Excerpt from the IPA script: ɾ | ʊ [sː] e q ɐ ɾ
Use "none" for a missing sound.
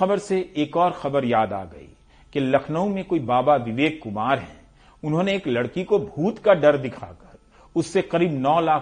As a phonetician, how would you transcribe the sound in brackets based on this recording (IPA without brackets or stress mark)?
sː